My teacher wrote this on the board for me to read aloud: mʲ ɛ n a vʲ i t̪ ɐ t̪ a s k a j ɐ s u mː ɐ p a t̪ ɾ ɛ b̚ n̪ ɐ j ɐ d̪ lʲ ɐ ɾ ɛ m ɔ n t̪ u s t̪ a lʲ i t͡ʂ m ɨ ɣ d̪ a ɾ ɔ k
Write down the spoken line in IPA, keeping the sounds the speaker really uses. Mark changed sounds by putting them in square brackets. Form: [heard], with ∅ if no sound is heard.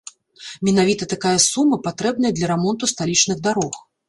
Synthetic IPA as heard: mʲ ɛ n a vʲ i t̪ ɐ t̪ a [∅] k a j ɐ s u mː ɐ p a t̪ ɾ ɛ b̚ n̪ ɐ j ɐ d̪ lʲ ɐ ɾ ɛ m ɔ n t̪ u s t̪ a lʲ i t͡ʂ [n] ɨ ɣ d̪ a ɾ ɔ [x]

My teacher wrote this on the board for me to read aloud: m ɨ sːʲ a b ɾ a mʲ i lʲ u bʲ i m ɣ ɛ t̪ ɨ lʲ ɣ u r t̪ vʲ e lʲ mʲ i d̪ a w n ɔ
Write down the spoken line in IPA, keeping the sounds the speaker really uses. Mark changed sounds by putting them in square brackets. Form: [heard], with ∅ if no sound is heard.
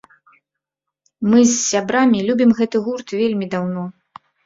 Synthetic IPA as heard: m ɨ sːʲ a b ɾ a mʲ i lʲ u bʲ i m ɣ ɛ t̪ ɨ [∅] ɣ u r t̪ vʲ e lʲ mʲ i d̪ a w n ɔ

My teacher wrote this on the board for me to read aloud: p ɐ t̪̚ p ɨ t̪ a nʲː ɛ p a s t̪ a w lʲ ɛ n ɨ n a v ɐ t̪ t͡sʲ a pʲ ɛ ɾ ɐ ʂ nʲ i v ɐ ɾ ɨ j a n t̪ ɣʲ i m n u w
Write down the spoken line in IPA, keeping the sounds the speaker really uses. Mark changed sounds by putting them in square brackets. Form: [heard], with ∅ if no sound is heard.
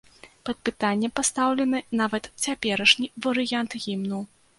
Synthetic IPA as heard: p ɐ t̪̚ p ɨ t̪ a nʲː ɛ p a s t̪ a w lʲ ɛ n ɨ n a v ɐ t̪ t͡sʲ a pʲ ɛ ɾ ɐ ʂ nʲ i v ɐ ɾ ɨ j a n t̪ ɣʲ i m n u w

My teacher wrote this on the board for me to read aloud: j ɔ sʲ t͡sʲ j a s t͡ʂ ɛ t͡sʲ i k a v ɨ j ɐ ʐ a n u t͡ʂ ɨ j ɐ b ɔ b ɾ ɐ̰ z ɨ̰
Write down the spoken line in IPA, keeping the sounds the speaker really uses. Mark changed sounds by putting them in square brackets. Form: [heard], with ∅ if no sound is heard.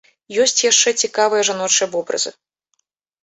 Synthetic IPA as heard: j ɔ sʲ t͡sʲ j a [ʂ] t͡ʂ ɛ t͡sʲ i k a v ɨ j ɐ ʐ a n [ɔ] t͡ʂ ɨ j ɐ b ɔ b ɾ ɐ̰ z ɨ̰

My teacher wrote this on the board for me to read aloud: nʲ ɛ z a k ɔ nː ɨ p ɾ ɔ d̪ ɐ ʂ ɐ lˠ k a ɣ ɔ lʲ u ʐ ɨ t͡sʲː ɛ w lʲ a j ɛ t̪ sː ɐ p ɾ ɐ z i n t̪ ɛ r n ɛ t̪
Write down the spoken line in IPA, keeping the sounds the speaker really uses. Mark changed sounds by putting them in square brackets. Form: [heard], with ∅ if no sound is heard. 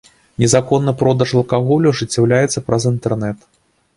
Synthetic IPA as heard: nʲ ɛ z a k ɔ nː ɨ p ɾ ɔ d̪ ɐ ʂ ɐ lˠ k a ɣ ɔ lʲ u ʐ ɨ t͡sʲː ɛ w lʲ a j ɛ t̪ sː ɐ p ɾ ɐ z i n t̪ ɛ r n ɛ t̪

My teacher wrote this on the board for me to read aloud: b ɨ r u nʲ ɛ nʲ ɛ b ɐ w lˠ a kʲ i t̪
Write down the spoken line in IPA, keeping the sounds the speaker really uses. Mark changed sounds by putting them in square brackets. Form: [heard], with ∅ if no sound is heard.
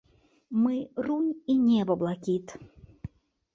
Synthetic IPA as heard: [m] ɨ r u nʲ [i] nʲ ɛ b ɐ [b] lˠ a kʲ i t̪

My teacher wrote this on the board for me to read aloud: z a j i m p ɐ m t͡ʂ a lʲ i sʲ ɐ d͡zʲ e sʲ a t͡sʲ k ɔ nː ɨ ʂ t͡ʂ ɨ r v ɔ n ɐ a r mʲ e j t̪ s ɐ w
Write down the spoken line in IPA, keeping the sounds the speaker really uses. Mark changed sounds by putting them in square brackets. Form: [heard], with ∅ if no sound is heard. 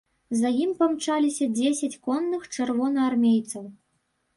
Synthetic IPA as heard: z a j i m p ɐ m t͡ʂ a lʲ i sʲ ɐ d͡zʲ e sʲ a t͡sʲ k ɔ nː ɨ [x] t͡ʂ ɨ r v ɔ n ɐ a r mʲ e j t̪ s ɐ w

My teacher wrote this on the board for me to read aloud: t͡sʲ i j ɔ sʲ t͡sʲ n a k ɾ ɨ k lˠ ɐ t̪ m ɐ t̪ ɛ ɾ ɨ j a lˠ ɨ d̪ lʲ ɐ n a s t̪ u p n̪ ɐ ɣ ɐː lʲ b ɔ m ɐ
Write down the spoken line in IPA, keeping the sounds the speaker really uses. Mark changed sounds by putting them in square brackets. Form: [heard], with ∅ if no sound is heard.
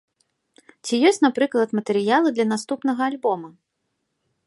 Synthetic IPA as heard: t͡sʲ i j ɔ sʲ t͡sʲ n a [p] ɾ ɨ k lˠ ɐ t̪ m ɐ t̪ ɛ ɾ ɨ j a lˠ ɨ d̪ lʲ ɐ n a s t̪ u p n̪ ɐ ɣ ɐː lʲ b ɔ m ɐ

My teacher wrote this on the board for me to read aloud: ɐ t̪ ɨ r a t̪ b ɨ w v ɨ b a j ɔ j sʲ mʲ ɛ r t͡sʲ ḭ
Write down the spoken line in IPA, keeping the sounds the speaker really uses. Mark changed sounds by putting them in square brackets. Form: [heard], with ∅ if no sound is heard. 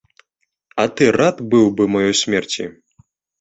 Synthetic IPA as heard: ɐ t̪ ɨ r a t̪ b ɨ w [b] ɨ [m] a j ɔ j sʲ mʲ ɛ r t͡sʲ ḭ

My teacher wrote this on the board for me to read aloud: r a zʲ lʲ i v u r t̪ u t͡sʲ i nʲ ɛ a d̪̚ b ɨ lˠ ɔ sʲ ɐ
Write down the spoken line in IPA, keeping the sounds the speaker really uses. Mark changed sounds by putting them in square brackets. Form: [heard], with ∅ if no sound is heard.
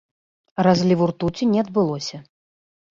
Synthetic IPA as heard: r a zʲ lʲ i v u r t̪ u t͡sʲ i nʲ ɛ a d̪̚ b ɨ lˠ ɔ sʲ ɐ

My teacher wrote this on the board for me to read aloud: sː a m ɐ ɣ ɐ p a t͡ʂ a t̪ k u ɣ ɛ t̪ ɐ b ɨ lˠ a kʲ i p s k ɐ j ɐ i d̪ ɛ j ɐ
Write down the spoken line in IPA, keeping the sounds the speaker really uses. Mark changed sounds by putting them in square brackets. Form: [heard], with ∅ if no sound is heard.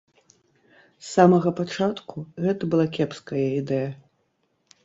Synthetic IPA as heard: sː a m ɐ ɣ ɐ p a t͡ʂ a t̪ k u ɣ ɛ t̪ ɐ b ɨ lˠ a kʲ [ɛ] p s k ɐ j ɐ i d̪ ɛ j ɐ

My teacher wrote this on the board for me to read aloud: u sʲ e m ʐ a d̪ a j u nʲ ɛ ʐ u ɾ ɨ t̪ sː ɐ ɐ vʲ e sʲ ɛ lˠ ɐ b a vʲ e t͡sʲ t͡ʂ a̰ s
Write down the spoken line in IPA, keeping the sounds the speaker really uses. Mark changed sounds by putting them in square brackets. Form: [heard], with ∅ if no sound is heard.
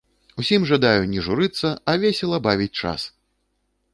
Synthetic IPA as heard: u sʲ [i] m ʐ a d̪ a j u nʲ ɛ ʐ u ɾ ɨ t̪ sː ɐ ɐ vʲ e sʲ ɛ lˠ ɐ b a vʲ [i] t͡sʲ t͡ʂ a̰ s

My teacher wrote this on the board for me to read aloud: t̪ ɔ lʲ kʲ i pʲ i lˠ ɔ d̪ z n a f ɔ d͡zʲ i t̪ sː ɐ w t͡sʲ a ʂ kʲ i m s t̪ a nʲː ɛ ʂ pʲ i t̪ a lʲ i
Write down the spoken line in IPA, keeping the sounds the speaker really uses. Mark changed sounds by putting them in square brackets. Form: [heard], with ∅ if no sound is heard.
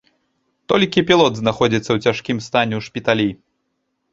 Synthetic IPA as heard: t̪ ɔ lʲ kʲ i pʲ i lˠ ɔ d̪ z n a [x] ɔ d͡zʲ i t̪ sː ɐ w t͡sʲ a ʂ kʲ i m s t̪ a [nʲ] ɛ ʂ pʲ i t̪ a lʲ i

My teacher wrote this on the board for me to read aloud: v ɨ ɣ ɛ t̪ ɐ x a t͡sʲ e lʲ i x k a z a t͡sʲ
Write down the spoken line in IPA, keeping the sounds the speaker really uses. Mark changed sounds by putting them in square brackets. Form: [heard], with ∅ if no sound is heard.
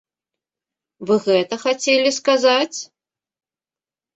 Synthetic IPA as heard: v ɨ ɣ ɛ t̪ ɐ x a t͡sʲ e lʲ i [s] k a z a t͡sʲ

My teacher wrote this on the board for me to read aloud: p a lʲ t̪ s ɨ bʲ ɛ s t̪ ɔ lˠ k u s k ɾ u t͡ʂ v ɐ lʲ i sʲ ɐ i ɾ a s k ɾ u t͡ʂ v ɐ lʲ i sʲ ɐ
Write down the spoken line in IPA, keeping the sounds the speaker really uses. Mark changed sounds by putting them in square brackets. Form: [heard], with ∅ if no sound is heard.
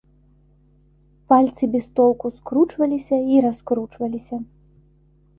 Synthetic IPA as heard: p a lʲ t̪ s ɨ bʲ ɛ s t̪ ɔ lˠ k u s k ɾ u t͡ʂ v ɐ lʲ i sʲ ɐ i ɾ a s k ɾ u t͡ʂ v ɐ lʲ i sʲ ɐ

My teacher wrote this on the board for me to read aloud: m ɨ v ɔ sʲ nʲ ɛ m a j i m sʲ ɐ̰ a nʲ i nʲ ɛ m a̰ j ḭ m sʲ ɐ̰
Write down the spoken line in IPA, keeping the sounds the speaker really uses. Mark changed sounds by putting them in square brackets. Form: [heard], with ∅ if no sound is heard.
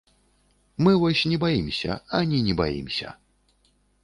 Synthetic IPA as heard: m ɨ v ɔ sʲ nʲ ɛ [b] a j i m sʲ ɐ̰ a nʲ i nʲ ɛ [b] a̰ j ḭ m sʲ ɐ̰

